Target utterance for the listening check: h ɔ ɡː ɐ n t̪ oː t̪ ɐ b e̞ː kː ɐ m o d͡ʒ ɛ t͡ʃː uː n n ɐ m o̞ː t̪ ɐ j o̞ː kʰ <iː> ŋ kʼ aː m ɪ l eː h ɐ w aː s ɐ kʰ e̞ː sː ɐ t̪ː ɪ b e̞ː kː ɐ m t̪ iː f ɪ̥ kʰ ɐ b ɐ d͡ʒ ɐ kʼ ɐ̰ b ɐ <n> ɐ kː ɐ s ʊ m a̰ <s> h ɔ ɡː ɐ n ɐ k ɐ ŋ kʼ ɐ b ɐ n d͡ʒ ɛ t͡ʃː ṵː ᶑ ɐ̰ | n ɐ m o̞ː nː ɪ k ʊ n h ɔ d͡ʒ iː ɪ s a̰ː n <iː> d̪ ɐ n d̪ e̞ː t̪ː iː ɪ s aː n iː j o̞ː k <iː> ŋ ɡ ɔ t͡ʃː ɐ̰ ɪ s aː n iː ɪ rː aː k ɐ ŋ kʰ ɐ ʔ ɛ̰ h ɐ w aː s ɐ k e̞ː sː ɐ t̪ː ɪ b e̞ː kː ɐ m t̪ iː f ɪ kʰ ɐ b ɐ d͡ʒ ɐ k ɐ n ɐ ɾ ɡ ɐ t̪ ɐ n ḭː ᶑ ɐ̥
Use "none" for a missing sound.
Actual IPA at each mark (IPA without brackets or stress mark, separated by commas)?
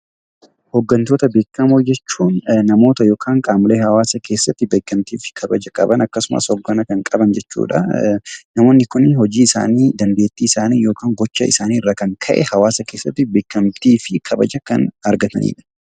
aː, n, s, iː, aː